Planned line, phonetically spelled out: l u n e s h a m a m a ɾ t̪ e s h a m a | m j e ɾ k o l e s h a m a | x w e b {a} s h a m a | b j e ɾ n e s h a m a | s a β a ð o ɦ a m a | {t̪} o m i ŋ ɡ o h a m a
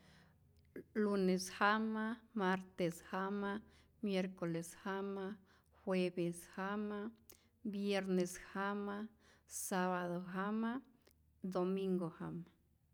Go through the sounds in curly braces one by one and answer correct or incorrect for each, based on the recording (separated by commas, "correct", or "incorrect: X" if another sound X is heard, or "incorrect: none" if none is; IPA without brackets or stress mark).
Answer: incorrect: e, incorrect: d̪